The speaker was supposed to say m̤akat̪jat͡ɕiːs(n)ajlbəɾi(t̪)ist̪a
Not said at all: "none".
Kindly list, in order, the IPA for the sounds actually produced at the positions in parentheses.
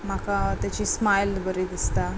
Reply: m, d̪

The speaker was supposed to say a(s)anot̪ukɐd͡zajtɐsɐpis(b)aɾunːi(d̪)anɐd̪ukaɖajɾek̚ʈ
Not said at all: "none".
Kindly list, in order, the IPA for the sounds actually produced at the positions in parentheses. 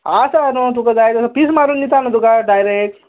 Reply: s, m, t̪

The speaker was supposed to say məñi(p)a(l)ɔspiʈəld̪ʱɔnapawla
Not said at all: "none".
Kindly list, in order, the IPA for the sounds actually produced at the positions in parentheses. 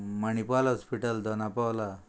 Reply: p, l

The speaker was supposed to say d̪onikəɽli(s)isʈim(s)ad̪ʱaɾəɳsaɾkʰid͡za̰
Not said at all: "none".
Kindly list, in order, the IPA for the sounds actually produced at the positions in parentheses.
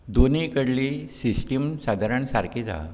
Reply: s, s

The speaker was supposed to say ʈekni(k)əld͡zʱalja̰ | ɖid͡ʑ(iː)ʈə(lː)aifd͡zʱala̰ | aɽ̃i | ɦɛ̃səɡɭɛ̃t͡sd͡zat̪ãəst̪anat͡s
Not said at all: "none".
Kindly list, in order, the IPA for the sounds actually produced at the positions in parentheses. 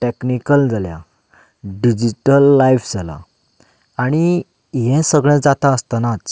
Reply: k, i, lː

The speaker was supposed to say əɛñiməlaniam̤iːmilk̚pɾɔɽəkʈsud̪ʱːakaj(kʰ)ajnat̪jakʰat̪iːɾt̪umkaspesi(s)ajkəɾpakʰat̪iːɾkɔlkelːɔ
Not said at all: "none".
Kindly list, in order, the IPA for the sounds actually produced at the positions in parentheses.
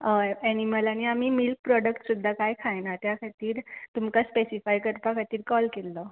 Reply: kʰ, f

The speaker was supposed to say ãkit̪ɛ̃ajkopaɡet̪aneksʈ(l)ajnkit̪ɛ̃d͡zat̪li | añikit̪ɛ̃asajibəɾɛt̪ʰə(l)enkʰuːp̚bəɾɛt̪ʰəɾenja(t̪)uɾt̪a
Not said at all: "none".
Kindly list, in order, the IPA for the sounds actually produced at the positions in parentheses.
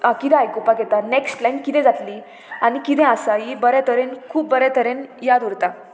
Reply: l, ɾ, d̪

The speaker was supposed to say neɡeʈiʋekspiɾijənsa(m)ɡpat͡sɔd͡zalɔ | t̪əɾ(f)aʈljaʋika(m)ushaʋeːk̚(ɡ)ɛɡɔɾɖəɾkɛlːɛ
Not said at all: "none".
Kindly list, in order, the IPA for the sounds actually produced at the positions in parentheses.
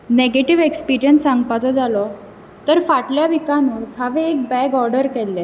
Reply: ŋ, f, n, b

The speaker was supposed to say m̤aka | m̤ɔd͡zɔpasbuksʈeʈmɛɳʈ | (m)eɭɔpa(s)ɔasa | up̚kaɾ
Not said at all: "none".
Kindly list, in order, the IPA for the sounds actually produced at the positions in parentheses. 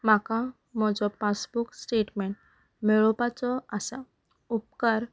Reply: m, t͡s

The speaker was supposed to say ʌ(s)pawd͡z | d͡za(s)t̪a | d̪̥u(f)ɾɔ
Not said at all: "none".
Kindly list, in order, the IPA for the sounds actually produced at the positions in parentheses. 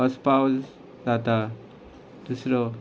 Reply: s, none, s

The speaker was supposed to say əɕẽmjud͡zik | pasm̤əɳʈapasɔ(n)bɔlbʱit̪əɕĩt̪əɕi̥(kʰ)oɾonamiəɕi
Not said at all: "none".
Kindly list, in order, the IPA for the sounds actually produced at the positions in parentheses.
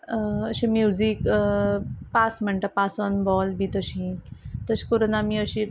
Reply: n, k

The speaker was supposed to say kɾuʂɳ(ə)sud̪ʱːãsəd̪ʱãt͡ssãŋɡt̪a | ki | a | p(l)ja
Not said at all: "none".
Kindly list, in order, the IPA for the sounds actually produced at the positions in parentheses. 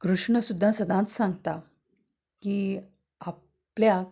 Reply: ə, l

